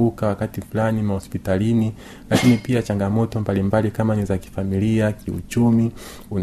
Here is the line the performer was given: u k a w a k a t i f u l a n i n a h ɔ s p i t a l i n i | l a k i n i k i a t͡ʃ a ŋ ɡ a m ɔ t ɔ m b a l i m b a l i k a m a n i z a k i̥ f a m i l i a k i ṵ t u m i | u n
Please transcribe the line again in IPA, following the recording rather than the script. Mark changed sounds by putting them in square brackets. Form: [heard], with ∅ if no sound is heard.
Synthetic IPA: u k a w a k a t i f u l a n i [m] a h ɔ s p i t a l i n i | l a k i n i [p] i a t͡ʃ a ŋ ɡ a m ɔ t ɔ m b a l i m b a l i k a m a n i z a k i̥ f a m i l i a k i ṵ [t͡ʃ] u m i | u n